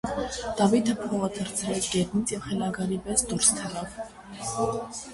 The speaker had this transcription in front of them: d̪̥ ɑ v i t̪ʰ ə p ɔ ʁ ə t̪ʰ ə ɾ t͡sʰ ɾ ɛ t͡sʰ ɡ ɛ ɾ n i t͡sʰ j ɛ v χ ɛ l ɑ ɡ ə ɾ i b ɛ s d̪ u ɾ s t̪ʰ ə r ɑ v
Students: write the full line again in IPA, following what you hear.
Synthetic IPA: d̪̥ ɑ v i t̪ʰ ə pʰ ɔ ʁ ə t̪ʰ ə ɾ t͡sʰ ɾ ɛ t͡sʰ ɡ ɛ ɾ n i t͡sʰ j ɛ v χ ɛ l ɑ ɡ ɑ ɾ i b ɛ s d̪ u ɾ s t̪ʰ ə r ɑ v